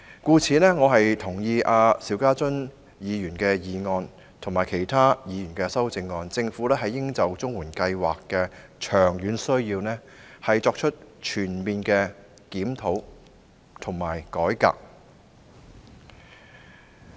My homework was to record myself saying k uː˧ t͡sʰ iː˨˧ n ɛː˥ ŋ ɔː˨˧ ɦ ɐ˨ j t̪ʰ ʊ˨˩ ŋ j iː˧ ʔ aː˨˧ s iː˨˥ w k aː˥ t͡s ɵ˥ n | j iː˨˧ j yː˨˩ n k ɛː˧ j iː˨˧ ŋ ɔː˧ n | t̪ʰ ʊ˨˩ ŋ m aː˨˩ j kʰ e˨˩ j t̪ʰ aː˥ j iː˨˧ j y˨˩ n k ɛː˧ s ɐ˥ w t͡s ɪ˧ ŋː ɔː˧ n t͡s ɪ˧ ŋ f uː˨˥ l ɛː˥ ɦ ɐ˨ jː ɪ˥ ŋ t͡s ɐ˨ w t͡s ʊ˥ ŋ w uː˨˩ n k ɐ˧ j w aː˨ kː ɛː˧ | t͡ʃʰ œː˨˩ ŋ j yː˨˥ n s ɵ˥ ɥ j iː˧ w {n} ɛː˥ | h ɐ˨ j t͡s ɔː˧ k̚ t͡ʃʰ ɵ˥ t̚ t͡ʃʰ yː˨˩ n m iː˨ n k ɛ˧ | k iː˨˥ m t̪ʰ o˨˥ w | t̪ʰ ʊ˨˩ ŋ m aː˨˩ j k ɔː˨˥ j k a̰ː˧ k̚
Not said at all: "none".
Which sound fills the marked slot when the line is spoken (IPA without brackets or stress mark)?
n